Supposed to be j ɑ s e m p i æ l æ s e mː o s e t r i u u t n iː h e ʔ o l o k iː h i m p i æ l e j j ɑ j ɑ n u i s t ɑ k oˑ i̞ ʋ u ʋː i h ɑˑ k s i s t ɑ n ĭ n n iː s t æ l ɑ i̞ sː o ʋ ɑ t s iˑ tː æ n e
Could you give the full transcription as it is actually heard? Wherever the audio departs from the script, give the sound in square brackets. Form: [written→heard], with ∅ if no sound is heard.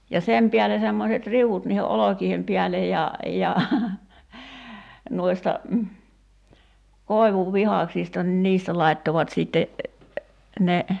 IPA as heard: j ɑ s e m p i æ l [æ→e] s e mː o s e t r i u u t n iː h e ʔ o l o k iː h [i→e] m p i æ l e j j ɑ j ɑ n u i s t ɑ k oˑ i̞ ʋ u ʋː i h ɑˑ k s i s t ɑ n ĭ n n iː s t æ l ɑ i̞ [sː→tː] o ʋ ɑ t s iˑ tː [æ→e] n e